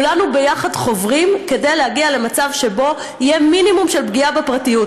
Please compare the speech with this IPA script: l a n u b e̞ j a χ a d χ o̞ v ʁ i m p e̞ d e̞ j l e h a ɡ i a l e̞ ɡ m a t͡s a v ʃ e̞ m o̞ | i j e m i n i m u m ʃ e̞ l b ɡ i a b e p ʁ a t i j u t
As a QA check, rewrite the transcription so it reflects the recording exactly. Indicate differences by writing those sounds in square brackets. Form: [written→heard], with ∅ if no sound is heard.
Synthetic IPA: l a n u b e̞ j a χ a d χ o̞ v ʁ i m [p→k] e̞ d e̞ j l e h a ɡ i a l e̞ [ɡ→∅] m a t͡s a v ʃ e̞ [m→b] o̞ | i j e m i n i m u m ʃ e̞ l b ɡ i a b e p ʁ a t i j u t